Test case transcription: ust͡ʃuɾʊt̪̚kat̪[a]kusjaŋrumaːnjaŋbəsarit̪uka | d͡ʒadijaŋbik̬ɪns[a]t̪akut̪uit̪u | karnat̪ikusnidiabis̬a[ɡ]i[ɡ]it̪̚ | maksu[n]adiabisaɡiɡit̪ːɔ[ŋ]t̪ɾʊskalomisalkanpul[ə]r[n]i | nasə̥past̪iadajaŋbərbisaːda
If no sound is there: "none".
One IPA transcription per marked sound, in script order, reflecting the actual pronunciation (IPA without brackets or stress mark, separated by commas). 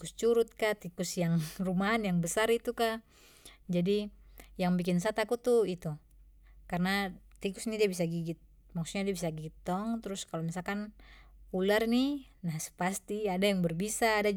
i, a, ɡ, ɡ, ɲ, ŋ, a, n